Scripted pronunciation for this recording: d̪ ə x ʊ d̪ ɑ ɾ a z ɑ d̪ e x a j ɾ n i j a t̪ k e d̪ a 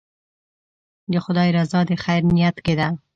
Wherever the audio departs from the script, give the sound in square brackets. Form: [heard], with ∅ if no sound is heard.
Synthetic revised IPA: d̪ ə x ʊ d̪ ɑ ɾ a z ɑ d̪ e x a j ɾ n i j a t̪ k e d̪ a

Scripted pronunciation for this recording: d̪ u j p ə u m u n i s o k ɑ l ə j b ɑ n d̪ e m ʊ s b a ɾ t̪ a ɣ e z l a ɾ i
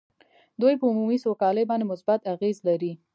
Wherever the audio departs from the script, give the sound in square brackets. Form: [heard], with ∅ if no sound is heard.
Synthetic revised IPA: d̪ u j p ə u m u [m] i s o k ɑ l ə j b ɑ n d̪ e m ʊ s b a [∅] t̪ a ɣ e z l a ɾ i

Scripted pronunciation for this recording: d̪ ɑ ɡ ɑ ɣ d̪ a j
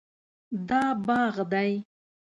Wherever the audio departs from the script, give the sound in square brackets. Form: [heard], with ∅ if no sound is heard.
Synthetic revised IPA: d̪ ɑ [b] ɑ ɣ d̪ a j

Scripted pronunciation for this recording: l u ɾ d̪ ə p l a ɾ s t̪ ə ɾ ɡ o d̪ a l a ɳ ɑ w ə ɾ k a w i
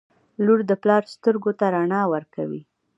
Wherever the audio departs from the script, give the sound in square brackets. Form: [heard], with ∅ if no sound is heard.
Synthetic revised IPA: l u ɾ d̪ ə p l [ɑ] ɾ s t̪ ə ɾ ɡ o [t̪] a [ɾ] a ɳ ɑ w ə ɾ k a w i

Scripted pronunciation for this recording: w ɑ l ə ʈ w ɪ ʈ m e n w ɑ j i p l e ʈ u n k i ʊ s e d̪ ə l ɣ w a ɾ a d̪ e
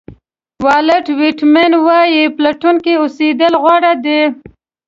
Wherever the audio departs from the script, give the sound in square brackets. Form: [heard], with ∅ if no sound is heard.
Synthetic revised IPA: w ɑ l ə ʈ w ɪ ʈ m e n w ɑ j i p l [a] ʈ u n k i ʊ s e d̪ ə l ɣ w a [ɽ] a d̪ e

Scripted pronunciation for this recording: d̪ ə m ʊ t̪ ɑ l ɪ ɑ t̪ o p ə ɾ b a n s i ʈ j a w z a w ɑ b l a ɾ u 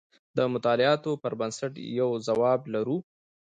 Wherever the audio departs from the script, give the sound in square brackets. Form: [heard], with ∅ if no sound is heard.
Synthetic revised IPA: d̪ ə m ʊ t̪ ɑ l ɪ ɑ t̪ o p ə ɾ b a n s [a] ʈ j a w z a w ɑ b l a ɾ u

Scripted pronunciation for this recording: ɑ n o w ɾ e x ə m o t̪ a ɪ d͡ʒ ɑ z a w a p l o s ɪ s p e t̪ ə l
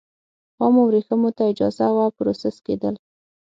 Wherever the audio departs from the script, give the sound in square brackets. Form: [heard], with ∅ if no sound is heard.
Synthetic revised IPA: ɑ [m] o w ɾ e x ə m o t̪ a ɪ d͡ʒ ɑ z a w a p [ɾ] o s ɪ s [k] e [d̪] ə l

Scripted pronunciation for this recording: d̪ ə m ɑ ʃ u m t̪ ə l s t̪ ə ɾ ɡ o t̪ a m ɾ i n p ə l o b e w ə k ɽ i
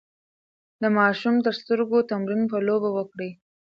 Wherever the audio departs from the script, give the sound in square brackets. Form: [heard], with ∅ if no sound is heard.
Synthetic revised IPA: d̪ ə m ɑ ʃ u m t̪ ə [ɾ] s t̪ ə ɾ ɡ o t̪ a m ɾ i n p ə l o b [a] w ə k ɽ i

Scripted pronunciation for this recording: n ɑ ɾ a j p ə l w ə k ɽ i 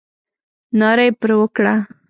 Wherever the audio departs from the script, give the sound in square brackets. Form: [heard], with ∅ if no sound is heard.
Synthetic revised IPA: n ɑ ɾ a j p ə [ɾ] w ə k ɽ [a]

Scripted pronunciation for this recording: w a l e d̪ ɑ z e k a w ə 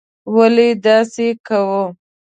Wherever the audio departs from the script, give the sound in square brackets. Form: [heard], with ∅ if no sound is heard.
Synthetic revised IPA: w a l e d̪ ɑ [s] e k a w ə

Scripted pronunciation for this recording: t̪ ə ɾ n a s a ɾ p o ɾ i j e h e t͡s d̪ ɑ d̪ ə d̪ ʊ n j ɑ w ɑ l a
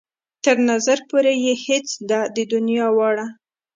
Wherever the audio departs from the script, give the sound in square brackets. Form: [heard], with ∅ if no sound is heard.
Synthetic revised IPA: t̪ ə ɾ n a [z] a ɾ p o ɾ [e] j e h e t͡s d̪ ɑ d̪ ə d̪ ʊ n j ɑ w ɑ [ɽ] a

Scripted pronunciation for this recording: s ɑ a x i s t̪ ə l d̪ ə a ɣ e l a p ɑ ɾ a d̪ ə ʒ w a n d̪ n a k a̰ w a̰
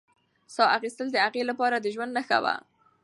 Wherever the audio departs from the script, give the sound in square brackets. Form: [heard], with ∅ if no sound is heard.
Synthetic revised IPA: s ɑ a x i s t̪ ə l d̪ ə a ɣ e l a p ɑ ɾ a d̪ ə ʒ w a n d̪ n a [x] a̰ w a̰

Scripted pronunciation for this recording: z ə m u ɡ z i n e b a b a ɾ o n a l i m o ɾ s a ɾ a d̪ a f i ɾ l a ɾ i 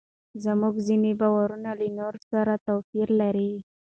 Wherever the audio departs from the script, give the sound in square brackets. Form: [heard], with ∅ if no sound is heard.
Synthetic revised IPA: z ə m u ɡ z i n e b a [w] a ɾ [u] n a l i [n] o ɾ s a ɾ a [t̪] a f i ɾ l a ɾ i

